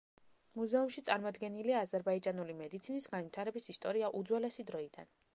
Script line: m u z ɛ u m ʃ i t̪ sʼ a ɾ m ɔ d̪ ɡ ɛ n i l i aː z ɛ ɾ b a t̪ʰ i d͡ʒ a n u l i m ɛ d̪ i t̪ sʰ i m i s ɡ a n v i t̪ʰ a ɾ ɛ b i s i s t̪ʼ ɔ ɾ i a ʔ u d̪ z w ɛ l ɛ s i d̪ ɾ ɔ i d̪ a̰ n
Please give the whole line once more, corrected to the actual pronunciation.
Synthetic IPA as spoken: m u z ɛ u m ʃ i t̪ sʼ a ɾ m ɔ d̪ ɡ ɛ n i l i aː z ɛ ɾ b a i d͡ʒ a n u l i m ɛ d̪ i t̪ sʰ i n i s ɡ a n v i t̪ʰ a ɾ ɛ b i s i s t̪ʼ ɔ ɾ i a ʔ u d̪ z w ɛ l ɛ s i d̪ ɾ ɔ i d̪ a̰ n